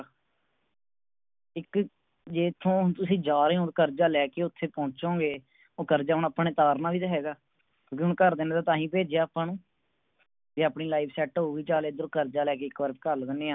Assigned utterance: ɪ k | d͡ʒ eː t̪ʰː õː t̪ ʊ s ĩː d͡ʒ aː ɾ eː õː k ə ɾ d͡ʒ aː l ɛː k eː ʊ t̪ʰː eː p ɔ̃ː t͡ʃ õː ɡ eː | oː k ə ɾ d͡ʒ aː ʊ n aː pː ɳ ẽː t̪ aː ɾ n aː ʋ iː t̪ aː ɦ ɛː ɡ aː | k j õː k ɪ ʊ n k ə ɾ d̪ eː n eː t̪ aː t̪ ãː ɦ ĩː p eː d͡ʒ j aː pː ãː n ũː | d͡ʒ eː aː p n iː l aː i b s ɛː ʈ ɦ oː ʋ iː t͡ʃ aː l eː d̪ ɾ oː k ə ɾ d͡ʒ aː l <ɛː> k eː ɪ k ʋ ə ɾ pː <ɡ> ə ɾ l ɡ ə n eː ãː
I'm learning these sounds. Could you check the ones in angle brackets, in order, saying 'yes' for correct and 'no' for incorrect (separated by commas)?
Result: yes, no